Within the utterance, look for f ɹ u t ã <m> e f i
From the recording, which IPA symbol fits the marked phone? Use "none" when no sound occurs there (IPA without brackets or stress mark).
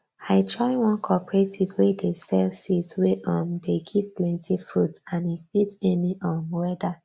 n